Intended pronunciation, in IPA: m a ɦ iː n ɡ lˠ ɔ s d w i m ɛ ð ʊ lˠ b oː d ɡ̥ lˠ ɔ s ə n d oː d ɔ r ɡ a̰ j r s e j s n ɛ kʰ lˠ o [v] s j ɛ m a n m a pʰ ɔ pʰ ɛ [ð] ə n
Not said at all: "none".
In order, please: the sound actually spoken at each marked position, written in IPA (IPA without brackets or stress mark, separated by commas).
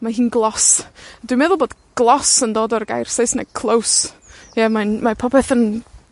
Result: w, θ